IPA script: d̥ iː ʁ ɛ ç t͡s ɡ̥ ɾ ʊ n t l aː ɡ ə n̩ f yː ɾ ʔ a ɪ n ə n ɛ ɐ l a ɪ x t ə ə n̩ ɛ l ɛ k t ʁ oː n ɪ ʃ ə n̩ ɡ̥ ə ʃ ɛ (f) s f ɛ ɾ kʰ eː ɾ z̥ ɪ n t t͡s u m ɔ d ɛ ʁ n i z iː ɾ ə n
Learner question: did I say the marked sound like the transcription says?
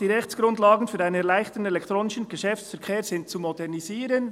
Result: yes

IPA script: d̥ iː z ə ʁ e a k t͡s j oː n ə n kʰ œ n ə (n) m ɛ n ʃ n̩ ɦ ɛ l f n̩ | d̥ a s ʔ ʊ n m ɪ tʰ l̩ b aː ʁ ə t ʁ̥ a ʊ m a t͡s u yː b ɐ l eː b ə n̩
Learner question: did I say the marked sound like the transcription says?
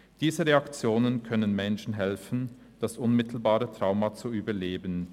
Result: yes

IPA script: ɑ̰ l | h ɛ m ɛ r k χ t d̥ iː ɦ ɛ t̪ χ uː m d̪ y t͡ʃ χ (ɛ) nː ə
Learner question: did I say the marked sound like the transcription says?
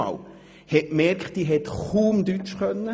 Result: no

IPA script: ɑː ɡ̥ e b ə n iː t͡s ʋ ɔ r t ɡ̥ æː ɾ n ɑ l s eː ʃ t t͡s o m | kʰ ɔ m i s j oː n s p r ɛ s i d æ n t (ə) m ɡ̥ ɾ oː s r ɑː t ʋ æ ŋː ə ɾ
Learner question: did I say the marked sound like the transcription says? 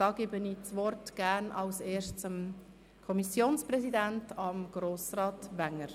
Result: no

